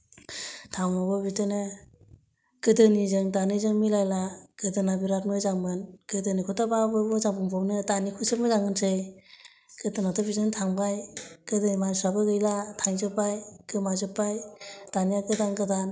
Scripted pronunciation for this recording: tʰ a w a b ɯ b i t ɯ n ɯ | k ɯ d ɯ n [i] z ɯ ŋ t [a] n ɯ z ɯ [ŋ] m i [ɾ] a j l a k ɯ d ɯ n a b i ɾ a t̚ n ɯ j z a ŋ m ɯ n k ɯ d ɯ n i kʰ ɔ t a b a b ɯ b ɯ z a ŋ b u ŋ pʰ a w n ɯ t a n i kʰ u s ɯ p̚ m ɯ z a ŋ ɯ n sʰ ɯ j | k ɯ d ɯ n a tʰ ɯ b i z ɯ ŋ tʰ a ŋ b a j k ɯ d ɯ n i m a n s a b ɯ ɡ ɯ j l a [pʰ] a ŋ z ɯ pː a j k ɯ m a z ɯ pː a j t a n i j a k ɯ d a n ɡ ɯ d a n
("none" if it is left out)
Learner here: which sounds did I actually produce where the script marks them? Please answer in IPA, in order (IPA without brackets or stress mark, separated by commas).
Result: i, a, ŋ, l, tʰ